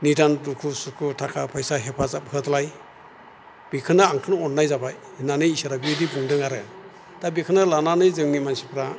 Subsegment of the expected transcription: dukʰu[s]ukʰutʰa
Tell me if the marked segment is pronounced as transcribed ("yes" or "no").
yes